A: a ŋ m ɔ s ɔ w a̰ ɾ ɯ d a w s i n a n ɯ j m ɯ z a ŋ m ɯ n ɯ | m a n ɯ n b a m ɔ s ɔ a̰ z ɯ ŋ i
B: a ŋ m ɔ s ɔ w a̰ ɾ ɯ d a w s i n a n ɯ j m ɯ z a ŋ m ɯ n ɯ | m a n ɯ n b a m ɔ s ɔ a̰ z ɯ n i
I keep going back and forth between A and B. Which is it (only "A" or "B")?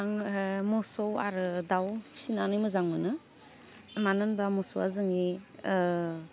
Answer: A